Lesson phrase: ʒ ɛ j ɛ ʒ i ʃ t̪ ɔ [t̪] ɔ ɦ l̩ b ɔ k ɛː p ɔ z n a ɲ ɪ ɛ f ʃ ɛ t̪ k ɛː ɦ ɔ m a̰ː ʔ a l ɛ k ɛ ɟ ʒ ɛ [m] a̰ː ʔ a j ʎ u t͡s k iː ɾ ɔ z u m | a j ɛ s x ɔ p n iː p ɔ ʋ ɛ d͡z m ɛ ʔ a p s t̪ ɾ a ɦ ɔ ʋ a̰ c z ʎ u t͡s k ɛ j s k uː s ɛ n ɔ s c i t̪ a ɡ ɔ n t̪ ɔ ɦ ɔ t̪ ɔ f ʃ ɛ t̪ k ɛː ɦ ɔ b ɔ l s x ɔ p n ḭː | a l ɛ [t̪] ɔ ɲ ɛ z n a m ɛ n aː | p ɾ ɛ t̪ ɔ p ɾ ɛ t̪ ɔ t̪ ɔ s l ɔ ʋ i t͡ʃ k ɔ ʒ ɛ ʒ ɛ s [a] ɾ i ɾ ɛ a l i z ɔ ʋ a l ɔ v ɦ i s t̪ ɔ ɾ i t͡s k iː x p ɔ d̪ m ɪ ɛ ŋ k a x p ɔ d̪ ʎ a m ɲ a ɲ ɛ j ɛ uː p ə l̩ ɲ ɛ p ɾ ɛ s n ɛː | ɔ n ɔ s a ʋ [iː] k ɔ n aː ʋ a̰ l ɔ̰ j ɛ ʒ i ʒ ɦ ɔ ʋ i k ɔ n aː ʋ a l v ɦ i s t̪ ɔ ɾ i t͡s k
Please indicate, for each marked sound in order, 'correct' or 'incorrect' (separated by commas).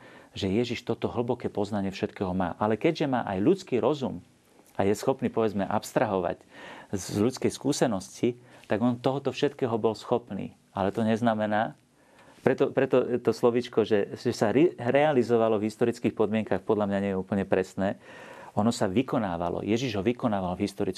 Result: correct, correct, correct, correct, incorrect